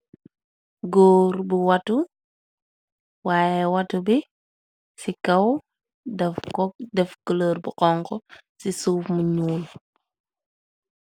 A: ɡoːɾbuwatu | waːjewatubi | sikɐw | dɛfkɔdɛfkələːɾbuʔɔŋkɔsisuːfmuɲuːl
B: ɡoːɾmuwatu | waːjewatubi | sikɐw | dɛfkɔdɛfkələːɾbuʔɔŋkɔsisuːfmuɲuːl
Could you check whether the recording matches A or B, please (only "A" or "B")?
A